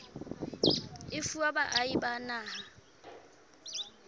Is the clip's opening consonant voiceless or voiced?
voiceless